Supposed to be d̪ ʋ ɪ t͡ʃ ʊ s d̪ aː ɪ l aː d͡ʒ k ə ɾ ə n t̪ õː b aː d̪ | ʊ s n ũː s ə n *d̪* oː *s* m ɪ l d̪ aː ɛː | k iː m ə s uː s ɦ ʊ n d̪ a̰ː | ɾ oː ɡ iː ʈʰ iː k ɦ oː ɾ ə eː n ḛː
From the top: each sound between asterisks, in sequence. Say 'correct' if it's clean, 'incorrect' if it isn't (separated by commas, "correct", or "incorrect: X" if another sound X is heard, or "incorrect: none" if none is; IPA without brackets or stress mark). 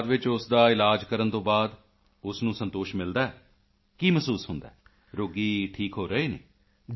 incorrect: t̪, incorrect: ʃ